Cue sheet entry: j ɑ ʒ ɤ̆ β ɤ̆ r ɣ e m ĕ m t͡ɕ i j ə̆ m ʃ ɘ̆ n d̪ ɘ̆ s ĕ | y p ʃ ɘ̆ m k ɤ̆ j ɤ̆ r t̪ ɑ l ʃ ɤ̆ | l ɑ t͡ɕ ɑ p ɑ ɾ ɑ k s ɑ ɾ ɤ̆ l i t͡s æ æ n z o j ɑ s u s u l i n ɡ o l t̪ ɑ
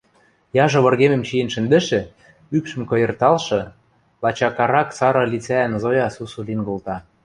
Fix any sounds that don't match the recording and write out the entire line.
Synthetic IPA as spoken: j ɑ ʒ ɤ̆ β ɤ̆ r ɣ e m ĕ m t͡ɕ i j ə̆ n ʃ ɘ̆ n d̪ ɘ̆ ʃ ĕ | y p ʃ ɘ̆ m k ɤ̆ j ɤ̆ r t̪ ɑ l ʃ ɤ̆ | l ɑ t͡ɕ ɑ k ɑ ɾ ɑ k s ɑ ɾ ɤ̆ l i t͡s æ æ n z o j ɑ s u s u l i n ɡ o l t̪ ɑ